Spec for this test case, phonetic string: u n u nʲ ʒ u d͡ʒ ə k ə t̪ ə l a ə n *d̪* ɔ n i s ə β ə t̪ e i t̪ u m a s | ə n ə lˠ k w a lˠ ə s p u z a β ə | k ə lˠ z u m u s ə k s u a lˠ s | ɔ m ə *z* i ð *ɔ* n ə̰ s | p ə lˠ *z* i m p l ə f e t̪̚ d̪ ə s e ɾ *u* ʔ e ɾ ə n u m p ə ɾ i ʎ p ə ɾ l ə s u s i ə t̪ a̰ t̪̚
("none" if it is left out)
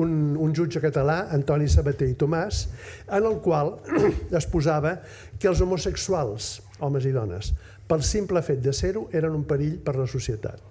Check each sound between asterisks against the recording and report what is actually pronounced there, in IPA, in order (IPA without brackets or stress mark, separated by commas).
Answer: t̪, z, ɔ, s, u